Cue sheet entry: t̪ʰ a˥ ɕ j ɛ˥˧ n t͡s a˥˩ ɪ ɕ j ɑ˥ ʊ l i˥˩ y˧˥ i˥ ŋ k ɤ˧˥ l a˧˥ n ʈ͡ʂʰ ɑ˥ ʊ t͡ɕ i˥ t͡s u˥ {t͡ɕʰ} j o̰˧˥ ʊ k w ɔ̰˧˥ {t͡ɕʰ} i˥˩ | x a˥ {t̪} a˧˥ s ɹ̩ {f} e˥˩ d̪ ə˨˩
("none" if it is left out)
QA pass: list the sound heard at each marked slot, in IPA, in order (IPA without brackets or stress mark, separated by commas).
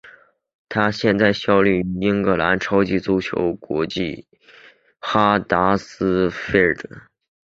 t͡ɕʰ, t͡ɕ, t̪, f